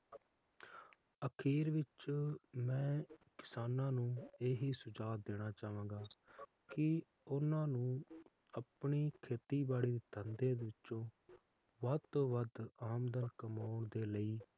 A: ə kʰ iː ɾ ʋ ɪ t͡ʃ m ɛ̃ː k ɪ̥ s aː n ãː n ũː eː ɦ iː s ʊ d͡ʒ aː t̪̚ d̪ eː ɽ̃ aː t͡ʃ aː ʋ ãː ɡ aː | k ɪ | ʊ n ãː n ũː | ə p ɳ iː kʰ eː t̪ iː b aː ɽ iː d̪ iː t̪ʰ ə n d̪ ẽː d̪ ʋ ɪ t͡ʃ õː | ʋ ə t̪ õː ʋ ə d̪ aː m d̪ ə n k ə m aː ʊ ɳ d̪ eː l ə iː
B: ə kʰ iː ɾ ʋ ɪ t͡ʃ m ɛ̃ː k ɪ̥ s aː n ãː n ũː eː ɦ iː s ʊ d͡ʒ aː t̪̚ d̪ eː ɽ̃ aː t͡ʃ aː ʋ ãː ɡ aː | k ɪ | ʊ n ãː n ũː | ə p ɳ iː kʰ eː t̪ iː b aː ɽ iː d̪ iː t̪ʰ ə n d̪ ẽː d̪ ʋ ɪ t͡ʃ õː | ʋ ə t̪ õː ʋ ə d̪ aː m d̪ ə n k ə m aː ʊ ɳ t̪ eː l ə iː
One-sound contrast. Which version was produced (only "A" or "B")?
A